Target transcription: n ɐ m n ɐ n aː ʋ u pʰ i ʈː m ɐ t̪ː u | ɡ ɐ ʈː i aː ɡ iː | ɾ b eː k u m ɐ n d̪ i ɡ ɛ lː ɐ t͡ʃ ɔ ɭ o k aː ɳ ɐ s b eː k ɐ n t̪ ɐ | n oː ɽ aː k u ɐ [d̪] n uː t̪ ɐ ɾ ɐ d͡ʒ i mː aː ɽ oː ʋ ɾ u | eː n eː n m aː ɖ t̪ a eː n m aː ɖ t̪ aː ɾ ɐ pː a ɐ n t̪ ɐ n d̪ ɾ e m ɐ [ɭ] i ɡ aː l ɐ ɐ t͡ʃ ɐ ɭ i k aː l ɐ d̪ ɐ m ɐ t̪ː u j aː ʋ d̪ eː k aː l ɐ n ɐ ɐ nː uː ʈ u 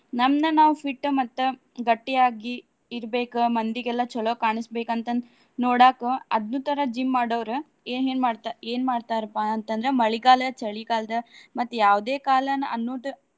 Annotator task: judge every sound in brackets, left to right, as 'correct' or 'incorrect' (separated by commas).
correct, correct